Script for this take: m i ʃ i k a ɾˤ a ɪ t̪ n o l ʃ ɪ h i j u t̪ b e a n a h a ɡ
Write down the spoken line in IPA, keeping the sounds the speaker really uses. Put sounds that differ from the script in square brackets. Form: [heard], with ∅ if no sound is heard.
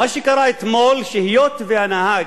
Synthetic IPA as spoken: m [a] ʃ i k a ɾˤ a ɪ t̪ [m] o l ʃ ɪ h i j [o] t̪ [v] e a n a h a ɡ